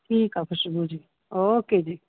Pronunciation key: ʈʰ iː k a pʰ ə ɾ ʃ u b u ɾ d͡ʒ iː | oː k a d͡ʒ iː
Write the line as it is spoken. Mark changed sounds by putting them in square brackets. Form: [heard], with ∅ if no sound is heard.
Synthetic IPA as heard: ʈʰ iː k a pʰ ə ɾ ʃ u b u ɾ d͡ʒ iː | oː k [e] d͡ʒ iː